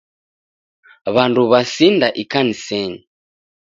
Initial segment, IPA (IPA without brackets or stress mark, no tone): β